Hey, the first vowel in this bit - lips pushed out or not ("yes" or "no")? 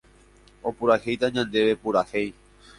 yes